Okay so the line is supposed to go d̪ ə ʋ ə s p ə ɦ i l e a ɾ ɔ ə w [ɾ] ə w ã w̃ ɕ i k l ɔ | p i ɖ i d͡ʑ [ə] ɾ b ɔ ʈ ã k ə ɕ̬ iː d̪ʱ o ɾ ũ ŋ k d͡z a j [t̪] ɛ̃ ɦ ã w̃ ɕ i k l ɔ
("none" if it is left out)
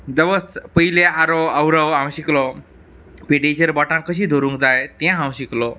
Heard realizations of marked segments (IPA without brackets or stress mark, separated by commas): ɾ, ə, t̪